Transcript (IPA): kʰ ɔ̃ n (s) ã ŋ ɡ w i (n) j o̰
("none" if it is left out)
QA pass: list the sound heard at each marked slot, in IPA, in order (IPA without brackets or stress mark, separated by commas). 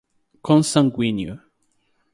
s, n